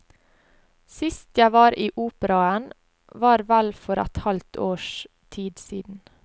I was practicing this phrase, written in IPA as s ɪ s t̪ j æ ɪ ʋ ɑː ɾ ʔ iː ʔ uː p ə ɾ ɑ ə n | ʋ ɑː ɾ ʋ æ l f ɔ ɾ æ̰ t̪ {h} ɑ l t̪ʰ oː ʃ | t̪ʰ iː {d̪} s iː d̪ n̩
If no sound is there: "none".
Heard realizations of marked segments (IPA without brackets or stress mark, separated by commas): h, d̪